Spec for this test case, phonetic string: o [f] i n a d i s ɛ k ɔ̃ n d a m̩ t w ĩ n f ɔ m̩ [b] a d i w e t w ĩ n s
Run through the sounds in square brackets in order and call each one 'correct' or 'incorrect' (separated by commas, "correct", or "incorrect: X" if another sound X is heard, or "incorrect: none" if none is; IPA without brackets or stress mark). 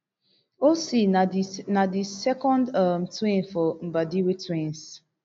incorrect: s, correct